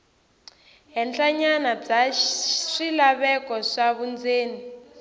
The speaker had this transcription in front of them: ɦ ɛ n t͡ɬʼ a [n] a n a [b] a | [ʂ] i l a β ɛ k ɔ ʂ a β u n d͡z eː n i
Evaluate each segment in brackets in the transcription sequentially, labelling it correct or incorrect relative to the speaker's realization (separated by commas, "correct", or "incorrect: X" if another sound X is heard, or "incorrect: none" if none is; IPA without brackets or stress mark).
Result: incorrect: ɲ, incorrect: b͡ʐ, correct